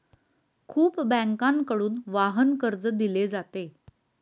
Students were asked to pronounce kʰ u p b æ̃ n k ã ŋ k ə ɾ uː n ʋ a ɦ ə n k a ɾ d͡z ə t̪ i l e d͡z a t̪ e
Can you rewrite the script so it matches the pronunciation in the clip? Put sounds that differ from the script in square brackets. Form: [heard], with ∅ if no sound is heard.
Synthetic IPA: kʰ [uː] p b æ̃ [ŋ] k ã ŋ k ə [ɽ] uː n ʋ a ɦ ə n k [ə] ɾ d͡z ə [d̪] i l e d͡z a t̪ e